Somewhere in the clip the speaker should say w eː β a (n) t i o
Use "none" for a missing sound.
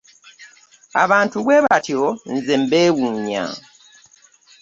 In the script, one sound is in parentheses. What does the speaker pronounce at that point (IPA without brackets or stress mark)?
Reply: none